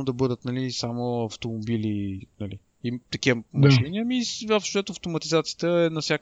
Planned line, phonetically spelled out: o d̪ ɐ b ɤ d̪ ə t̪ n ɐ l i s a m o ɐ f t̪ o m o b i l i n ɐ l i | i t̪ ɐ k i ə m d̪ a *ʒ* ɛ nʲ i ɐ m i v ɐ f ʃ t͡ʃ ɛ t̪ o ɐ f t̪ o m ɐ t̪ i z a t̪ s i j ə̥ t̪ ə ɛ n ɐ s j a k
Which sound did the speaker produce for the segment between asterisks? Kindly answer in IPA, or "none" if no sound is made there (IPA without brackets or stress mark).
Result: ʃ